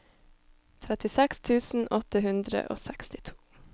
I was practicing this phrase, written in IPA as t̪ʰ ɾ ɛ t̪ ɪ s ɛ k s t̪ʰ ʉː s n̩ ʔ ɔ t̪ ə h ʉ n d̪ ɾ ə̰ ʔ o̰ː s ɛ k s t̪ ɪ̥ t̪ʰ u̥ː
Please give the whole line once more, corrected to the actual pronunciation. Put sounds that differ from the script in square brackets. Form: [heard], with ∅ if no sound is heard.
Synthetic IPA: t̪ʰ ɾ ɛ t̪ ɪ s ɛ k s t̪ʰ ʉː s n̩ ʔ ɔ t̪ ə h ʉ n d̪ ɾ ə̰ ʔ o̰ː s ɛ k s t̪ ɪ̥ t̪ʰ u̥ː